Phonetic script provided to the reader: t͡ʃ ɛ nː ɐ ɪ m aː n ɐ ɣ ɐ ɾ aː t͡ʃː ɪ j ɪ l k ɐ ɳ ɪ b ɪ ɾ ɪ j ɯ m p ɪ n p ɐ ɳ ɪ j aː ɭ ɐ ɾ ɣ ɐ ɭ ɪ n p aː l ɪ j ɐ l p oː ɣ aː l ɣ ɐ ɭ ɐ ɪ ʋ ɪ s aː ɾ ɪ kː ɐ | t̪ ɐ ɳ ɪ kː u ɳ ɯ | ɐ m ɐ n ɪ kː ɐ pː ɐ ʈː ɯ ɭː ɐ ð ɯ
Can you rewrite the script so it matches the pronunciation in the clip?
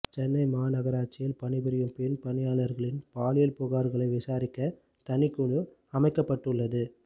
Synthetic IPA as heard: t͡ʃ ɛ nː ɐ ɪ m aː n ɐ ɣ ɐ ɾ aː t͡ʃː ɪ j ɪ l p ɐ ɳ ɪ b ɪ ɾ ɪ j ɯ m p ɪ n p ɐ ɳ ɪ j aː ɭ ɐ ɾ ɣ ɐ ɭ ɪ n p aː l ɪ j ɐ l p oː ɣ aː ɾ ɣ ɐ ɭ ɐ ɪ ʋ ɪ s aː ɾ ɪ kː ɐ | t̪ ɐ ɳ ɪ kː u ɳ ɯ | ɐ m ɐ ɪ kː ɐ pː ɐ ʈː ɯ ɭː ɐ ð ɯ